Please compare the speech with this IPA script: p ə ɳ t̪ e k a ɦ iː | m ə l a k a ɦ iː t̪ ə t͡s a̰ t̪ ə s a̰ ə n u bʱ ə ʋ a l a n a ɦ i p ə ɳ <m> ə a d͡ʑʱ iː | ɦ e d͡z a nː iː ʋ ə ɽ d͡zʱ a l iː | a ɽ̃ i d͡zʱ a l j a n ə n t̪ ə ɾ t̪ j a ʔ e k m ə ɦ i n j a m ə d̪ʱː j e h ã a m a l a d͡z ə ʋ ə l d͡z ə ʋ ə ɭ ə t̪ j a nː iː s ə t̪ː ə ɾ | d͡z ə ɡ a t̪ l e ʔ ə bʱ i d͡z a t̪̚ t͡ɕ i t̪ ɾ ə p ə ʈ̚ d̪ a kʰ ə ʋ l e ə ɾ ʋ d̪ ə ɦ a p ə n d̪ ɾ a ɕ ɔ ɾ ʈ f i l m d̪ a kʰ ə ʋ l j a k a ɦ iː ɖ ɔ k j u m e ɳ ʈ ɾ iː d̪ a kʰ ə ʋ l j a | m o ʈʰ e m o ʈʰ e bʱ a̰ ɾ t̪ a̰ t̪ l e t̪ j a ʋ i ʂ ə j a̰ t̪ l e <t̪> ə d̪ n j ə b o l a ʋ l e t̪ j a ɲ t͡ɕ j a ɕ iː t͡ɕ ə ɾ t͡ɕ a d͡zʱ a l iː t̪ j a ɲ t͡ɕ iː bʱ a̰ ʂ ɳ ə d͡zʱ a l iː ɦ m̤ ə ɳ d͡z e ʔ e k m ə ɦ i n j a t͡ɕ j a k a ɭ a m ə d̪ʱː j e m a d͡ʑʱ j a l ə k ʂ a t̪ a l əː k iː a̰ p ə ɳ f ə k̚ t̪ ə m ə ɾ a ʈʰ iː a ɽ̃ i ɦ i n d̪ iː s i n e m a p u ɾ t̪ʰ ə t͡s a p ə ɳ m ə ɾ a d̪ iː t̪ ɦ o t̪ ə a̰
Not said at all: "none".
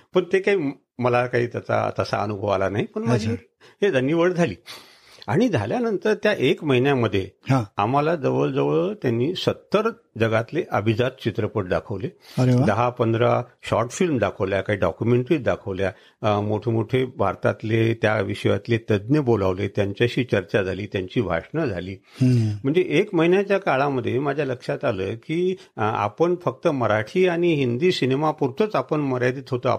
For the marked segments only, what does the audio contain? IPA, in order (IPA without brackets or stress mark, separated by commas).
m, t̪